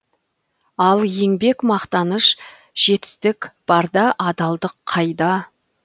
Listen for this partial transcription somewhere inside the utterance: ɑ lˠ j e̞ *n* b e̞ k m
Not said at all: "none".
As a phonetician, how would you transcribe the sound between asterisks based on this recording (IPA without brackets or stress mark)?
ŋ